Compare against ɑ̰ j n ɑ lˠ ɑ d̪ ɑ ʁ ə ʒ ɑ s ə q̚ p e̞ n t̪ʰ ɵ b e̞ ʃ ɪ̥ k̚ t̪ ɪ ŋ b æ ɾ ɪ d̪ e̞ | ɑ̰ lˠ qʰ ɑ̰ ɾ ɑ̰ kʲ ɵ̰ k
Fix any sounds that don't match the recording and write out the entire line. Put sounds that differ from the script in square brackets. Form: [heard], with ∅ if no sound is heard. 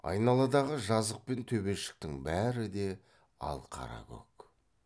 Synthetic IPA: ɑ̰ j n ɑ lˠ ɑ d̪ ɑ ʁ ə ʒ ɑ [z] ə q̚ p e̞ n t̪ʰ ɵ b e̞ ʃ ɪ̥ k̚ t̪ ɪ ŋ b æ ɾ ɪ d̪ e̞ | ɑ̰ lˠ qʰ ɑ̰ ɾ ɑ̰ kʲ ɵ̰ k